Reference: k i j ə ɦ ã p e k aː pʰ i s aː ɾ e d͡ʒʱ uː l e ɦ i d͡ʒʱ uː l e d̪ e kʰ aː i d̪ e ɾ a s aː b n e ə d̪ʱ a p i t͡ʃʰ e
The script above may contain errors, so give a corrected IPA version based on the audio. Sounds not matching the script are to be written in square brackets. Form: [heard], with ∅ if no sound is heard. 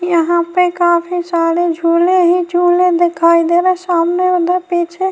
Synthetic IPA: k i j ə ɦ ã p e k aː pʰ i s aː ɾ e d͡ʒʱ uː l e ɦ i d͡ʒʱ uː l e d̪ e kʰ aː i d̪ e ɾ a s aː [m] n e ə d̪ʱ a p i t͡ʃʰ e